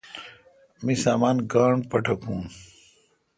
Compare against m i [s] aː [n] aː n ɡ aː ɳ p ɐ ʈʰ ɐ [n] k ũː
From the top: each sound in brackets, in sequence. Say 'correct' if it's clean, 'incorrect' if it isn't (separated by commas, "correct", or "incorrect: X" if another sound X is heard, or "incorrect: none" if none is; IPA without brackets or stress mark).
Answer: correct, incorrect: m, incorrect: none